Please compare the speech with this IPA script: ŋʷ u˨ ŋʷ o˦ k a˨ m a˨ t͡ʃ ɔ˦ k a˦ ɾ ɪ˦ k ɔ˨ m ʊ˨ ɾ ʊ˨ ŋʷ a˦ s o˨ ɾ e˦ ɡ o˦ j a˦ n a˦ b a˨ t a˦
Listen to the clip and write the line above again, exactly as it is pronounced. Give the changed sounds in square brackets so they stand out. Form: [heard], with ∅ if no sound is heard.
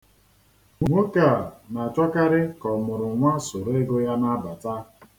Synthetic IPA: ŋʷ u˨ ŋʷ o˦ k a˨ [n] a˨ t͡ʃ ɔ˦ k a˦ ɾ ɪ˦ k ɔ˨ m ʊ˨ ɾ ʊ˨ ŋʷ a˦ s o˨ ɾ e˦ ɡ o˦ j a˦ n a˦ b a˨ t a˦